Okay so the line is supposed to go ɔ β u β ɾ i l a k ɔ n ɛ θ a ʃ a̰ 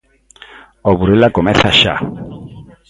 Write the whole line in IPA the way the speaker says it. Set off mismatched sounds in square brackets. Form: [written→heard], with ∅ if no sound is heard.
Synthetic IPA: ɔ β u [β→∅] ɾ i l a k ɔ [n→m] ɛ θ a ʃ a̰